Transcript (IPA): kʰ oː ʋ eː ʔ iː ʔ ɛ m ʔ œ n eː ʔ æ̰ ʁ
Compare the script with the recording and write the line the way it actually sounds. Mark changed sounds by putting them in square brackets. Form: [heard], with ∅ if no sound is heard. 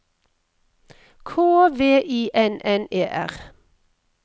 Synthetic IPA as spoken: kʰ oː ʋ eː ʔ iː ʔ ɛ [n] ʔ [ɛ] n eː ʔ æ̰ ʁ